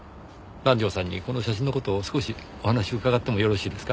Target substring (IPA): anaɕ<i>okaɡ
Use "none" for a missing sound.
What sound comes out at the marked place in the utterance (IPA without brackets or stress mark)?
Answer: i